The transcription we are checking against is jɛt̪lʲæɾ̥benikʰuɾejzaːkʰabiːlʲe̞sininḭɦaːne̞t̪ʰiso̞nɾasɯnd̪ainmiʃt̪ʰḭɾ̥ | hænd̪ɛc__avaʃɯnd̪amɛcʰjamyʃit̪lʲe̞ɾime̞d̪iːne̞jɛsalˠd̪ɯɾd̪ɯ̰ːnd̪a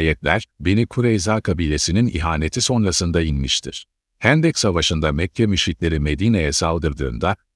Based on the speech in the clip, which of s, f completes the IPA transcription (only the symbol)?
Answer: s